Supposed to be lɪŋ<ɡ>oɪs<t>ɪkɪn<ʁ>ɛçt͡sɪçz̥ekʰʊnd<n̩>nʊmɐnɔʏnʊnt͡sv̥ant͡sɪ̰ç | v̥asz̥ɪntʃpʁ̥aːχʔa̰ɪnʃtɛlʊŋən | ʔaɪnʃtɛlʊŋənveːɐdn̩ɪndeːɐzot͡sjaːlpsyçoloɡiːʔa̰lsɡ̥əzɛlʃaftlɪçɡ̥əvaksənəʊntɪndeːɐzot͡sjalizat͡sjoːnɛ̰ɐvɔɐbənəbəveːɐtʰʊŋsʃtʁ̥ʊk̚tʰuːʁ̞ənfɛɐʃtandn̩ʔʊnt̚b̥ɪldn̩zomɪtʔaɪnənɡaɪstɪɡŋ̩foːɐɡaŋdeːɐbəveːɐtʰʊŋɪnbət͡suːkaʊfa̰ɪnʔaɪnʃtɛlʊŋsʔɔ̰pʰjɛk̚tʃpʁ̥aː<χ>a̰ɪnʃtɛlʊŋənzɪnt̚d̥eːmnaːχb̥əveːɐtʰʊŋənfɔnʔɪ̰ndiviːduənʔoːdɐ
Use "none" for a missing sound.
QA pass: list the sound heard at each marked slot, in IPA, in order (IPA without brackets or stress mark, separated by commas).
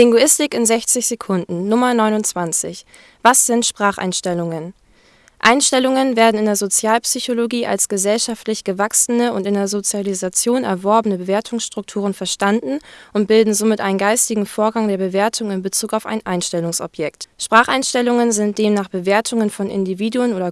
ɡ, t, z, n̩, χ